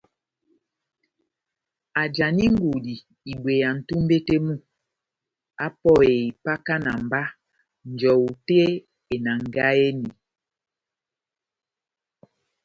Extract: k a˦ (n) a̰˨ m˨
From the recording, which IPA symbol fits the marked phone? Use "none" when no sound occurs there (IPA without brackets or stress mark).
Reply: n